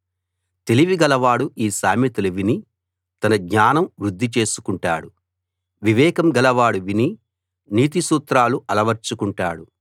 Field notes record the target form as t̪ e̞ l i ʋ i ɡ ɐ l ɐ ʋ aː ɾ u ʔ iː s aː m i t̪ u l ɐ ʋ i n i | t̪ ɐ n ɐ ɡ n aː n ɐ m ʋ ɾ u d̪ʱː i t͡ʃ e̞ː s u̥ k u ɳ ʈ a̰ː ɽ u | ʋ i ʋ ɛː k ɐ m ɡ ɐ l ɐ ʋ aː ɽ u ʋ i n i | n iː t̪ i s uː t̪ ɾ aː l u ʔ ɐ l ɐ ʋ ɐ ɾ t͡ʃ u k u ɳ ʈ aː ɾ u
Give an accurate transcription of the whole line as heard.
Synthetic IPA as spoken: t̪ e̞ l i ʋ i ɡ ɐ l ɐ ʋ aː ɽ u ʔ iː s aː m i t̪ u l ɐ ʋ i n i | t̪ ɐ n ɐ ɡ ɲ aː n ɐ m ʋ ɾ u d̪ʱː i t͡ʃ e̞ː s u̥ k u ɳ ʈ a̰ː ɽ u | ʋ i ʋ ɛː k ɐ m ɡ ɐ l ɐ ʋ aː ɽ u ʋ i n i | n iː t̪ i s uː t̪ ɾ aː l u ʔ ɐ l ɐ ʋ ɐ ɾ t͡ʃ u k u ɳ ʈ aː ɽ u